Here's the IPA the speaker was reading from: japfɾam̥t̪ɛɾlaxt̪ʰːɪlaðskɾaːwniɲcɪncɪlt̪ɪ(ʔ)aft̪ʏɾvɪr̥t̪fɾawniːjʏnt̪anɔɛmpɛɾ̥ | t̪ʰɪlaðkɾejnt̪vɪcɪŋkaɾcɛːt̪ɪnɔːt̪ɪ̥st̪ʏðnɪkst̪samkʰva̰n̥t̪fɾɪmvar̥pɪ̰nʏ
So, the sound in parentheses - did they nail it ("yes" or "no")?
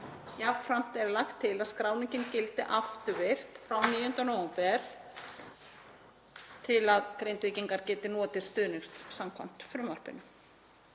yes